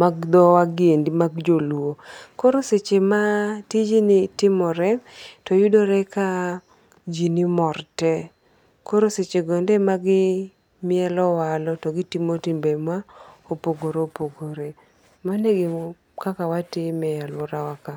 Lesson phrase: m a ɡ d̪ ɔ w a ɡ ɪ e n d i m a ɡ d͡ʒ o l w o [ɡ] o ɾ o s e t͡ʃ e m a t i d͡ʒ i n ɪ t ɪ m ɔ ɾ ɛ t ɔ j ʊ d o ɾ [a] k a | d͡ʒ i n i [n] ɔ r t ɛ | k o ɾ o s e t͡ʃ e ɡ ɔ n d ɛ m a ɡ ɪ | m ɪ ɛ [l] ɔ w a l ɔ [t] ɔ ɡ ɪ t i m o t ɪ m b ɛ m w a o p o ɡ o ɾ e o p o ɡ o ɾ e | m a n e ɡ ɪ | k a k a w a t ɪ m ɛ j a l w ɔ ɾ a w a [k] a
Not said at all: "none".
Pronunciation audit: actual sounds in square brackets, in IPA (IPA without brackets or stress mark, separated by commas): k, ɛ, m, l, t, k